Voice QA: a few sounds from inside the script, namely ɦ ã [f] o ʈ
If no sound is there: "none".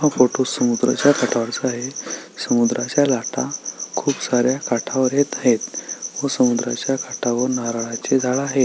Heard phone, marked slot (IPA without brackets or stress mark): f